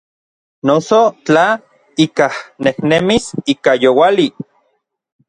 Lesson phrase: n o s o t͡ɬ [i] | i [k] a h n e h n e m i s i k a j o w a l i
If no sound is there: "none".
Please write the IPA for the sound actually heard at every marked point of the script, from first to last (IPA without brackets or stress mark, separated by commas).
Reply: a, k